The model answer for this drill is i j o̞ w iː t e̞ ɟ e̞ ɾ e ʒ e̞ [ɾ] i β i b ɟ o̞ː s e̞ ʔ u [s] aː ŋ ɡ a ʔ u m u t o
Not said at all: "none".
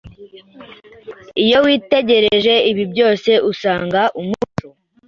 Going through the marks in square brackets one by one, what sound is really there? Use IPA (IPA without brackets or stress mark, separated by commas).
none, s